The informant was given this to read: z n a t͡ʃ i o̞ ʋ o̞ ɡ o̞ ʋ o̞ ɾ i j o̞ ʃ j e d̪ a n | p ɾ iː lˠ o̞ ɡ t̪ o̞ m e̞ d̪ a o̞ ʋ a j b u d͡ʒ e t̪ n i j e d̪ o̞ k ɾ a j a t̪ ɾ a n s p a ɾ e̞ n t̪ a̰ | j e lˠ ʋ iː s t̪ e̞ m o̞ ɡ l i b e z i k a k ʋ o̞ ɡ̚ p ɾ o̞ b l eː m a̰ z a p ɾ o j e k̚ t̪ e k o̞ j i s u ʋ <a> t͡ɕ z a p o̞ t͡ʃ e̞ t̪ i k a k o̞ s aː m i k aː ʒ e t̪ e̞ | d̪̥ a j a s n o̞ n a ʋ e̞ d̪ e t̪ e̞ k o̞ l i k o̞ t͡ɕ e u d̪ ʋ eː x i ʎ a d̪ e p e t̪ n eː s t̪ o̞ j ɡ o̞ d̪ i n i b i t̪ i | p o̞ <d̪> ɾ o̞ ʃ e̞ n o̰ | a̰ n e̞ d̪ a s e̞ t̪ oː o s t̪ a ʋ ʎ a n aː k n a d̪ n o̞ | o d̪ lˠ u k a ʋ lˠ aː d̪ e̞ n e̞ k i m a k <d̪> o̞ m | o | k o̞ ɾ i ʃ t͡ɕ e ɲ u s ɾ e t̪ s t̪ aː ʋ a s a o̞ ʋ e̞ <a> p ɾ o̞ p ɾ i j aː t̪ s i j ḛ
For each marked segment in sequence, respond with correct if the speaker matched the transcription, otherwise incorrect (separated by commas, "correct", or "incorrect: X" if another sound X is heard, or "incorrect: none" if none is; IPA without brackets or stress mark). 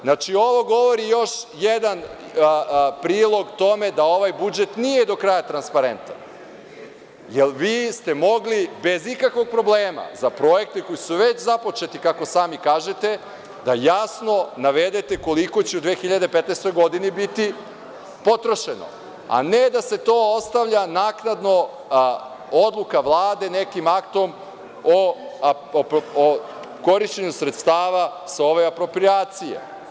incorrect: e, incorrect: t̪, incorrect: t̪, correct